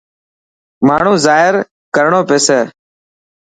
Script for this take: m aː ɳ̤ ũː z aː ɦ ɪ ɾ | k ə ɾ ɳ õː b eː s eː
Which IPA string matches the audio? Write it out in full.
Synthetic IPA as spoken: m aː ɳ̤ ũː z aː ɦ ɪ ɾ | k ə ɾ ɳ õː p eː s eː